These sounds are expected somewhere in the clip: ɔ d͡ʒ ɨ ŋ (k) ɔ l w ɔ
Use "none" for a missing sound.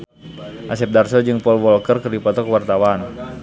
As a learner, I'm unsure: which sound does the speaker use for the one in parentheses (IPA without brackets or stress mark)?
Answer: p